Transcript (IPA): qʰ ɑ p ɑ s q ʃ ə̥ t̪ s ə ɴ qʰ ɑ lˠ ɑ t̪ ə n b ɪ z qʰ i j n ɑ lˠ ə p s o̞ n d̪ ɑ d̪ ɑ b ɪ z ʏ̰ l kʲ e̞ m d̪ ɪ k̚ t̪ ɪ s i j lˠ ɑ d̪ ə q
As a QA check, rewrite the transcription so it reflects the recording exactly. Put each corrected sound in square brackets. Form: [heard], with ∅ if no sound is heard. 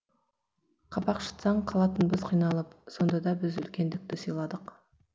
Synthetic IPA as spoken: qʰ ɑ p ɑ [∅] q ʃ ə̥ t̪ s [ɑ] ɴ qʰ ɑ lˠ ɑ t̪ ə n b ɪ z qʰ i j n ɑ lˠ ə p s o̞ n d̪ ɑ d̪ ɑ b ɪ z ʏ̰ l kʲ e̞ [n] d̪ ɪ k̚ t̪ ɪ s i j lˠ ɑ d̪ ə q